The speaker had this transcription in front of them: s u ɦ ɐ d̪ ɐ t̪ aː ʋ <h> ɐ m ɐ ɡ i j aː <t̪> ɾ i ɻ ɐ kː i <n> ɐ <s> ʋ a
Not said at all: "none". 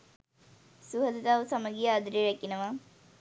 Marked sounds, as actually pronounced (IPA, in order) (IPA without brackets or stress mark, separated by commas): s, d̪, n, none